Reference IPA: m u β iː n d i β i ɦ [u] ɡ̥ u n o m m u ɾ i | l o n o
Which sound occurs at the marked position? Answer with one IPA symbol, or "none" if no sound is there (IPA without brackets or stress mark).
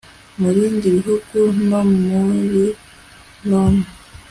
u